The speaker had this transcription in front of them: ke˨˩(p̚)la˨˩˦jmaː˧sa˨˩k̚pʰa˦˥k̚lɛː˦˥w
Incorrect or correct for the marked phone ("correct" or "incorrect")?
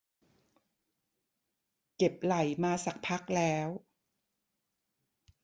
correct